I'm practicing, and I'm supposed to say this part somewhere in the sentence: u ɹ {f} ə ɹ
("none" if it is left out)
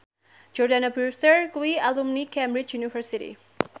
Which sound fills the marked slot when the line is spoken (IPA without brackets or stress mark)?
s